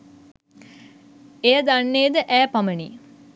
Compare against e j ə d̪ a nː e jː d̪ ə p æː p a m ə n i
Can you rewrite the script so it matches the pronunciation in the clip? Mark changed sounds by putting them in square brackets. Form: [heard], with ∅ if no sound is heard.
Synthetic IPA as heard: e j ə d̪ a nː e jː d̪ ə [ʔ] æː p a m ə n i